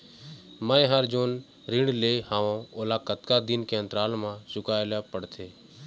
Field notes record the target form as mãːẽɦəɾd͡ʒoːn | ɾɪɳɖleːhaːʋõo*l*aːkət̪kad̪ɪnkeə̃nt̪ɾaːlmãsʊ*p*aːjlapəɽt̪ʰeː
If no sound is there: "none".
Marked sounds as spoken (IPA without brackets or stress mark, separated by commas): l, k